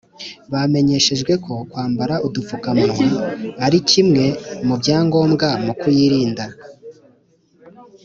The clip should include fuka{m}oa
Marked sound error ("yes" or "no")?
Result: no